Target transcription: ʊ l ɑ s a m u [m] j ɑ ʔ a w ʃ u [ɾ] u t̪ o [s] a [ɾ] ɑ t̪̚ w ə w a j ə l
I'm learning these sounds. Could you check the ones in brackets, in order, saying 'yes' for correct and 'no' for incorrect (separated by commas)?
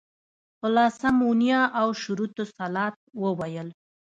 no, yes, yes, no